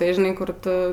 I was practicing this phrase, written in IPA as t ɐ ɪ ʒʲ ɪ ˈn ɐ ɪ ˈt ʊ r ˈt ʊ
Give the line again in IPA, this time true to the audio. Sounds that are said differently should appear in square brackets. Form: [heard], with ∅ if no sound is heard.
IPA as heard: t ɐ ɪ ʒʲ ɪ ˈn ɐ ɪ [ˈk] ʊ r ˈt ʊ